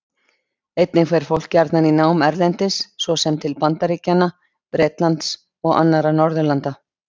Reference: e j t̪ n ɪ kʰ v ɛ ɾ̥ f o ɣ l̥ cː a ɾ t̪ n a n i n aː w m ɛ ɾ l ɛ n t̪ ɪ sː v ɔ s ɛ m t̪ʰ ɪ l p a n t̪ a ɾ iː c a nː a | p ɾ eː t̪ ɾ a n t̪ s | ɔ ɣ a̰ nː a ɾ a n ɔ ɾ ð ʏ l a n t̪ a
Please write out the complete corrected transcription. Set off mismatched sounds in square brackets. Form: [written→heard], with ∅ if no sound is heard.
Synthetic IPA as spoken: e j t̪ n ɪ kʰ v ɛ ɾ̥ f o [ɣ→w] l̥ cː a ɾ t̪ n a n i n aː w m ɛ ɾ l ɛ n t̪ ɪ sː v ɔ s ɛ m t̪ʰ ɪ l p a n t̪ a ɾ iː c a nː a | p ɾ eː t̪ [ɾ→l] a n t̪ s | ɔ ɣ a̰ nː a ɾ a n ɔ ɾ ð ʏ l a n t̪ a